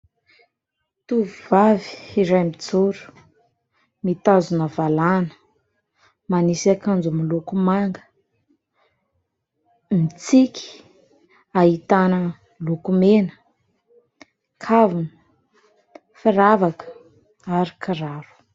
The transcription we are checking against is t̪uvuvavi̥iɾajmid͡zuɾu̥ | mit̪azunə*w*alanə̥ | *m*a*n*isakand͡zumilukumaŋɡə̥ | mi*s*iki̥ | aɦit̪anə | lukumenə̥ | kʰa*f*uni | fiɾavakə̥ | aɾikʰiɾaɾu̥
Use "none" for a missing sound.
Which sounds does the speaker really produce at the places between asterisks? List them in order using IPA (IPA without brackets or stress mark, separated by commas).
v, m, n, t͡s, v